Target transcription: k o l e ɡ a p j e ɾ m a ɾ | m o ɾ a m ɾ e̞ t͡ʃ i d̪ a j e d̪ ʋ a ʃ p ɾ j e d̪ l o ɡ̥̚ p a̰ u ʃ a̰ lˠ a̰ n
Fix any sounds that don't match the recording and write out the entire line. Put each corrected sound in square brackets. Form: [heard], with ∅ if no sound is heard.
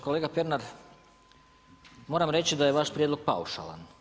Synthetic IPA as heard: k o l e ɡ a p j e ɾ [n] a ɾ | m o ɾ a m ɾ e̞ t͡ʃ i d̪ a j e [∅] ʋ a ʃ p ɾ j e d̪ l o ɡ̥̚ p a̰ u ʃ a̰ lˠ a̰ n